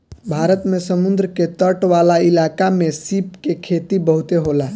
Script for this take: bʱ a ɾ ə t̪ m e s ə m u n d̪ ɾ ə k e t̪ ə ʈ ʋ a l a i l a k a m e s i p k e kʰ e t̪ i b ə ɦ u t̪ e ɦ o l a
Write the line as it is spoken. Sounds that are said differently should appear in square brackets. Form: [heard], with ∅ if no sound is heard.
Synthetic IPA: bʱ a ɾ ə t̪ m e s ə m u n d̪ ɾ ə k e t̪ ə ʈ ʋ a l a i l a k a m e s i p k e kʰ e t̪ i b ə ɦ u t̪ e ɦ o l a